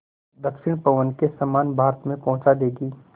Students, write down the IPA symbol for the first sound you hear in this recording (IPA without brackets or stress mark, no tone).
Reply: d̪